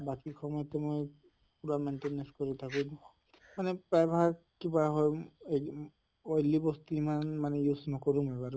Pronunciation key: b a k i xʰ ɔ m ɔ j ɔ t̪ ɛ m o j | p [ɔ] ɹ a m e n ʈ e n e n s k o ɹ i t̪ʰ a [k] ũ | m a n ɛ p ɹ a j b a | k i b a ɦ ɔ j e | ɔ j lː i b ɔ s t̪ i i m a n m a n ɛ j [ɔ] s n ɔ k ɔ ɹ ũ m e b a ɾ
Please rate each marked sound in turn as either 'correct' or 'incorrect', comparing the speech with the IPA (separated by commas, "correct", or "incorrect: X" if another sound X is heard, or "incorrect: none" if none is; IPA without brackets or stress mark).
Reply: incorrect: u, correct, incorrect: u